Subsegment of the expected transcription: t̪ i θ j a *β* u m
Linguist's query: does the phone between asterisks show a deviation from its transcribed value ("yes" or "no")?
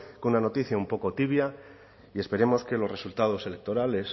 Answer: yes